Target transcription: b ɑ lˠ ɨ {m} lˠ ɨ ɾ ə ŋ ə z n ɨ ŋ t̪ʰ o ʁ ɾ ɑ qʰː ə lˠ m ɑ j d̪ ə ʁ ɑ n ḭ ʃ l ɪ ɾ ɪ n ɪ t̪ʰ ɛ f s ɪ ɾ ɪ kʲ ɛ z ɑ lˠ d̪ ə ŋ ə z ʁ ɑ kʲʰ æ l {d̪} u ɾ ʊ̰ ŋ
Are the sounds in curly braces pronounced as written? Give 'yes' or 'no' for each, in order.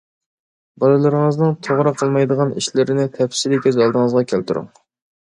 no, no

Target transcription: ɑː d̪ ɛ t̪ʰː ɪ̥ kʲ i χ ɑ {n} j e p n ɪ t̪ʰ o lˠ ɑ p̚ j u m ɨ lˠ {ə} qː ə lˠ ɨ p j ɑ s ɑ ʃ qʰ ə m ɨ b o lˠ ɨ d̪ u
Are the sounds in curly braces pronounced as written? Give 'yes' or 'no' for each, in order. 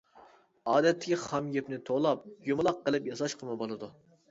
no, no

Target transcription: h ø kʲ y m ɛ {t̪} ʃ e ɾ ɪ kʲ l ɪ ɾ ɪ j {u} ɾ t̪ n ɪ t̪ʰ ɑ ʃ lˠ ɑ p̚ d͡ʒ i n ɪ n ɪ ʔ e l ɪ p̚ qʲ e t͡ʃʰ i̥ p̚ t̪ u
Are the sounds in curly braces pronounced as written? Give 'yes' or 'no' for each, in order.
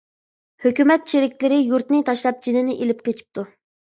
yes, yes

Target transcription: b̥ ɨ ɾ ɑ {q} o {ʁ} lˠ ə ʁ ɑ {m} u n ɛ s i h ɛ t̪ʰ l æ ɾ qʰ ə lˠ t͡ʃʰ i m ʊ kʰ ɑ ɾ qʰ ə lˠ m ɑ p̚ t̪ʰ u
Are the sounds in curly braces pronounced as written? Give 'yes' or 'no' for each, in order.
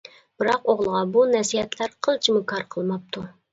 yes, yes, no

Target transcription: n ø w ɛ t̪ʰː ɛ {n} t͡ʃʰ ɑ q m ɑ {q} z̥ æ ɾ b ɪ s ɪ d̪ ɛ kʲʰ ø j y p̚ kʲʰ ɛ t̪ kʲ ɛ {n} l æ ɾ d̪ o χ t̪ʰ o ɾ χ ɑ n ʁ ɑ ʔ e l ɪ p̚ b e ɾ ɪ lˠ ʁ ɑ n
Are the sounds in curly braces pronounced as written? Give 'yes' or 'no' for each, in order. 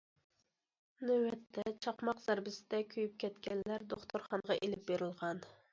no, yes, yes

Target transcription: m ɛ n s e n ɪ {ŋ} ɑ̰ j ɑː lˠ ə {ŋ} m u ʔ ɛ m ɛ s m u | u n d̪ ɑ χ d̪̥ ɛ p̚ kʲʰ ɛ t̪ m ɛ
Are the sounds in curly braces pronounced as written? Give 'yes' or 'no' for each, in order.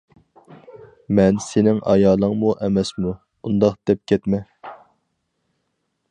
yes, yes

